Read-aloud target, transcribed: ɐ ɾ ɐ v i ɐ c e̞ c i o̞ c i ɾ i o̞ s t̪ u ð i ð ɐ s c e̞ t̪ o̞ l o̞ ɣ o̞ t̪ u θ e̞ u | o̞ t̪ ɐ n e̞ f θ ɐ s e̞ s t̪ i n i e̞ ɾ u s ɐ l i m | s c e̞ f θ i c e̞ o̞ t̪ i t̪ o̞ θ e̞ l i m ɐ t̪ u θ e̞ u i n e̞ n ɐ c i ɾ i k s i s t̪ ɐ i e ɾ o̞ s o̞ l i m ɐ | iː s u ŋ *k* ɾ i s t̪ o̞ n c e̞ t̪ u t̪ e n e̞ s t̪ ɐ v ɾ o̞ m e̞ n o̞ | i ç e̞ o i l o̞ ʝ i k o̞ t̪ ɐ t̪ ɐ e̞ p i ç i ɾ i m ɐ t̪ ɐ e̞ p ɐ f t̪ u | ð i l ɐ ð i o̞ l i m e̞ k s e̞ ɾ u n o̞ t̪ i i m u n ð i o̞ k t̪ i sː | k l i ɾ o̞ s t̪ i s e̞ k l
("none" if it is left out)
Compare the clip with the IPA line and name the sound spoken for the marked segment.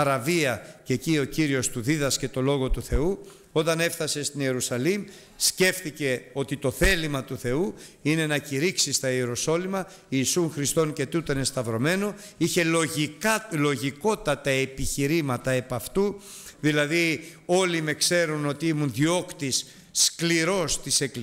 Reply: x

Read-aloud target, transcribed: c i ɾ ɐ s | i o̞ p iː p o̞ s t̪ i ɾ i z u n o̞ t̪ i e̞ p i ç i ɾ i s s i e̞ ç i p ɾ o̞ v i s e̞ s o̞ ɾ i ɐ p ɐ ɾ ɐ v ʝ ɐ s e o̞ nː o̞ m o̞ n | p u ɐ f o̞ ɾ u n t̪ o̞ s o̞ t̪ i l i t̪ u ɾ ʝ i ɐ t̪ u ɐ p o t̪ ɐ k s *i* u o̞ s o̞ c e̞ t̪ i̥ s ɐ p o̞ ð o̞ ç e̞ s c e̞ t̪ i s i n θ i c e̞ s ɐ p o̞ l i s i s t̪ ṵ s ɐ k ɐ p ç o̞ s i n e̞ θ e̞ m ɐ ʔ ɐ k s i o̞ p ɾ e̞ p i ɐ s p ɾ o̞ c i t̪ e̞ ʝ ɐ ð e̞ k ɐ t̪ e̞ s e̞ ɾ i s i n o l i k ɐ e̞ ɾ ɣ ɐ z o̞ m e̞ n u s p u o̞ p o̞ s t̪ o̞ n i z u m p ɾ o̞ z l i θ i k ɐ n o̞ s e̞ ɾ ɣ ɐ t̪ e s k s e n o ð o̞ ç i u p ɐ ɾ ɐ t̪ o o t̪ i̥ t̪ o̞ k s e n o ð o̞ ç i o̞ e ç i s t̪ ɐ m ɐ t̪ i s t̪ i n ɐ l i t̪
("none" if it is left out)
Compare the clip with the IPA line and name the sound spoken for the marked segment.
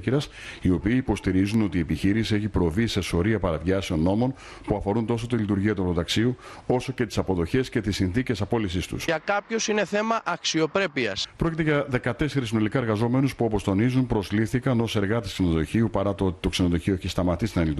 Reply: i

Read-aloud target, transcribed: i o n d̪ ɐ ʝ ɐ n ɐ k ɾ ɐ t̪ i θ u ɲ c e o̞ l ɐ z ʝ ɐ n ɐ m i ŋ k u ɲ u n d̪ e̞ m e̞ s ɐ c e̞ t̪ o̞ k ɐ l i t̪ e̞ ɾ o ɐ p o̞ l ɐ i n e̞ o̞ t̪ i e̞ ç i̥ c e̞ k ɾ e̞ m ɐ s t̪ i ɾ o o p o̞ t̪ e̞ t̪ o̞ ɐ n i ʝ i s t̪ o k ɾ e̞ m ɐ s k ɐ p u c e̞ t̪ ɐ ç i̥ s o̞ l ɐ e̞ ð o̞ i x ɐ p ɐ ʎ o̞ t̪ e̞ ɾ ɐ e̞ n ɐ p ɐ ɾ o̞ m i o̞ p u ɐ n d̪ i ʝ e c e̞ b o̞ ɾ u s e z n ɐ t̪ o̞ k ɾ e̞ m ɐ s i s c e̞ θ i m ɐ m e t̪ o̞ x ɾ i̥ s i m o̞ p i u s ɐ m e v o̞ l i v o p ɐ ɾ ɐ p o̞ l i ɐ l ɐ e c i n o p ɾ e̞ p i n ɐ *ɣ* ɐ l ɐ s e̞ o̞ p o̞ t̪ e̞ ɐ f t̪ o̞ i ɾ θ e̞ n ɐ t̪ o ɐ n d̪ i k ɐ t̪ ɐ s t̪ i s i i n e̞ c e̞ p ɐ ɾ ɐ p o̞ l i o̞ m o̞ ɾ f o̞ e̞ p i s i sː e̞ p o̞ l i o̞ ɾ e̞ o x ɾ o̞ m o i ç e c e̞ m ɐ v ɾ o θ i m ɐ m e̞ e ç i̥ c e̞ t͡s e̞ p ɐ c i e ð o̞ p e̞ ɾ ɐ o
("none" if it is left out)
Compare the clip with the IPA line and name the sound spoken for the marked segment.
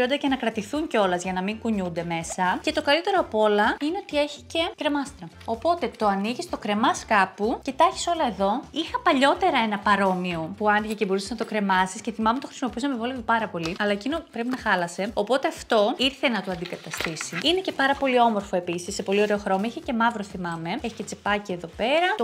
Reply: x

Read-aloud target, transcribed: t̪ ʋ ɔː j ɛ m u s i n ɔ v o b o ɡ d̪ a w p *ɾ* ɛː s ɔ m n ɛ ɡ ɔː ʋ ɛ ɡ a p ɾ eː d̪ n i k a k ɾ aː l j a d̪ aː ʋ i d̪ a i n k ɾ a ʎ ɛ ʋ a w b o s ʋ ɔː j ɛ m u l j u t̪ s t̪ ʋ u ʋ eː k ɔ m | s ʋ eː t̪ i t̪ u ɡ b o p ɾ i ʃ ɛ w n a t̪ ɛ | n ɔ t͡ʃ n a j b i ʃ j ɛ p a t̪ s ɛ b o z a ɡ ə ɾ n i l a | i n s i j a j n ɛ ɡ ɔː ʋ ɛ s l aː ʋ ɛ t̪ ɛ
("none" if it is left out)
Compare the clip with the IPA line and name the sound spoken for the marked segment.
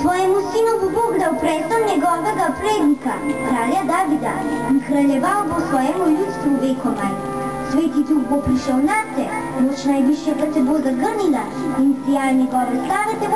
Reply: ɾ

